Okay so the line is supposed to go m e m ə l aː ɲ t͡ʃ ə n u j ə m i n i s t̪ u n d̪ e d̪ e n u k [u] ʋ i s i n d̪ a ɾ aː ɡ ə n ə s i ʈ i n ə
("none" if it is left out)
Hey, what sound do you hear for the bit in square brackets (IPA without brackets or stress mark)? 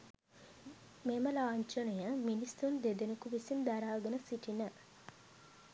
u